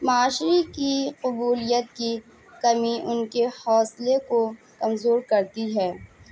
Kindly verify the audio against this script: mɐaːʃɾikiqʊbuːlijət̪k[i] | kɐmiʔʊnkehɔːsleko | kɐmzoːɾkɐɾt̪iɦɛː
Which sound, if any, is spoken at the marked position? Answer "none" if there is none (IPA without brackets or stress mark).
i